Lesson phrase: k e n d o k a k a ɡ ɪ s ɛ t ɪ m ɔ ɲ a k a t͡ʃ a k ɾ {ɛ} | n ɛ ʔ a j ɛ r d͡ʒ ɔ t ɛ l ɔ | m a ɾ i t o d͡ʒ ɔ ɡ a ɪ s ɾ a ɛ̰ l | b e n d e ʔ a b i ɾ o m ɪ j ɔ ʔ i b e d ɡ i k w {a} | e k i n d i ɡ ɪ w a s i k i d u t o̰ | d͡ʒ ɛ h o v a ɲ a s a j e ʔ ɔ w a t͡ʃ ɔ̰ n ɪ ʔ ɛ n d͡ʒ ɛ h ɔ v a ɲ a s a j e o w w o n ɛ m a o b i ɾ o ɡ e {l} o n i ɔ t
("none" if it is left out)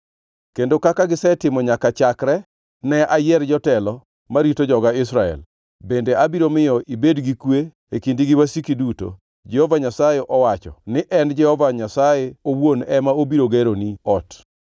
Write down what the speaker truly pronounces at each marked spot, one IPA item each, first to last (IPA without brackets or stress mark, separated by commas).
ɛ, e, ɾ